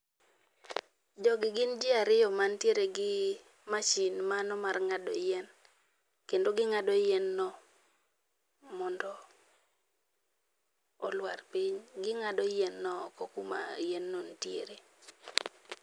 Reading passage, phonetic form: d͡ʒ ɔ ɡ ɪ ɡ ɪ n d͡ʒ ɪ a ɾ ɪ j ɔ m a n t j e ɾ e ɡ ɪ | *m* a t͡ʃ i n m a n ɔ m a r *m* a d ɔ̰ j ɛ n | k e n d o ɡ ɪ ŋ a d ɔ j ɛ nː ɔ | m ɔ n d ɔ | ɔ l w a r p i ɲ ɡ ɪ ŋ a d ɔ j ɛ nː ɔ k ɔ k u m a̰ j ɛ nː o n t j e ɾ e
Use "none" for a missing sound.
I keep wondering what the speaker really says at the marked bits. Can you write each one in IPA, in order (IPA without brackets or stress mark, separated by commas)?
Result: m, ŋ